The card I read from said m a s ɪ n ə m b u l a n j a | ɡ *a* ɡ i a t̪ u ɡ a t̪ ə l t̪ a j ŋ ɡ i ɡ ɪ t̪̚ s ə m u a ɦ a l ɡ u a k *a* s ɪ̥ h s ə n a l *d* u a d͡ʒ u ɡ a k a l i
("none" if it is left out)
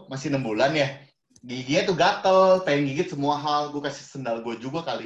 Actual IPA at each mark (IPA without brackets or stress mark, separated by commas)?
i, a, ɡ